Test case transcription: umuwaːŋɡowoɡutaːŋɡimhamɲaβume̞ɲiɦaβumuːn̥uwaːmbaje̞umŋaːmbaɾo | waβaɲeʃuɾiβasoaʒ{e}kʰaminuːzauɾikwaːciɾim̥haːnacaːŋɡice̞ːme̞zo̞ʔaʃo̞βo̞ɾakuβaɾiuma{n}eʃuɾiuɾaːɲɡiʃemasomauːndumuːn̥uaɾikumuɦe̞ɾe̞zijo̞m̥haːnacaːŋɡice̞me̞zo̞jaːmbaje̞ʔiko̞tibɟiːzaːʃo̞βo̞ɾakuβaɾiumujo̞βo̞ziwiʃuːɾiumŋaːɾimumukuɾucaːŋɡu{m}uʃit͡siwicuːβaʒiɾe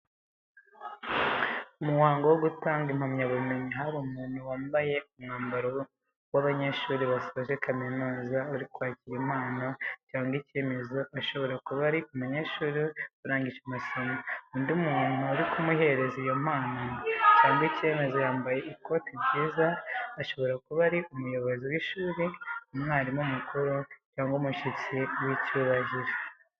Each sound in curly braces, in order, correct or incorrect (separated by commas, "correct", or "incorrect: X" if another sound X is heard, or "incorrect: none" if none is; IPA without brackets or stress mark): correct, incorrect: ɲ, correct